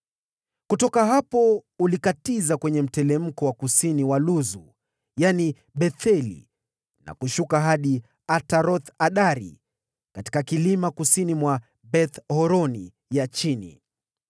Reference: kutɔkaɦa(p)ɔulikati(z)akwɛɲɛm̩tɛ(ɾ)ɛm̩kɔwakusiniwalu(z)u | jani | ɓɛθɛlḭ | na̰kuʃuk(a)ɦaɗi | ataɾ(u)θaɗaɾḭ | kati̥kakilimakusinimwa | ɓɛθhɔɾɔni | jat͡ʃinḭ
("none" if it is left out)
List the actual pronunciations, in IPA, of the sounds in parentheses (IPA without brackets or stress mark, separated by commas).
p, z, l, z, a, ɔ